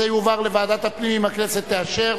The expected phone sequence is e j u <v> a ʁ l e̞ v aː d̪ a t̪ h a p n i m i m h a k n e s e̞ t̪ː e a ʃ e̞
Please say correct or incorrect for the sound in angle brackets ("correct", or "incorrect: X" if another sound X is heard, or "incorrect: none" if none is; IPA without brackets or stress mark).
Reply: correct